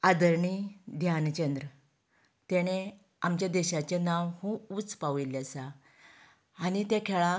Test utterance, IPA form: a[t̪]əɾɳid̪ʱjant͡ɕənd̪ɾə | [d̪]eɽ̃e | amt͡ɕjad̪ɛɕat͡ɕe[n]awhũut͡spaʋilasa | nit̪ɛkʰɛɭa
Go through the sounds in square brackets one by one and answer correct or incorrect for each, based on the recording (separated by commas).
incorrect, incorrect, correct